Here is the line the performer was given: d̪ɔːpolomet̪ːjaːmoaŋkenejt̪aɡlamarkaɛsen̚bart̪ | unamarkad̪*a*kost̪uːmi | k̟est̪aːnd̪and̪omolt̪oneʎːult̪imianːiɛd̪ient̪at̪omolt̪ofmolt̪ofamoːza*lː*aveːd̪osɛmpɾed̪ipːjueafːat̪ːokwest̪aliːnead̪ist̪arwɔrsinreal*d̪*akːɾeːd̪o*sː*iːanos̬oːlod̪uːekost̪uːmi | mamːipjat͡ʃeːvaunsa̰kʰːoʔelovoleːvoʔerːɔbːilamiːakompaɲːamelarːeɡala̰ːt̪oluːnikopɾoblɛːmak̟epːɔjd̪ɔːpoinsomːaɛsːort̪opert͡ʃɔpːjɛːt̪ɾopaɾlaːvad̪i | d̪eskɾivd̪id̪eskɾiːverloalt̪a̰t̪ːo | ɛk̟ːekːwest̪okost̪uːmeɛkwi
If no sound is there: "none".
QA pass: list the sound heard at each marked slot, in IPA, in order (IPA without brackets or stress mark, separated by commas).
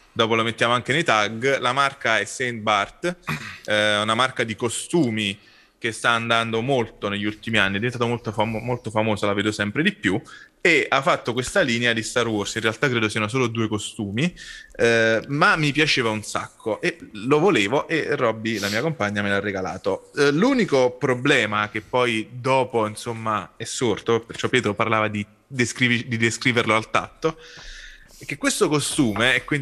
i, l, t̪, s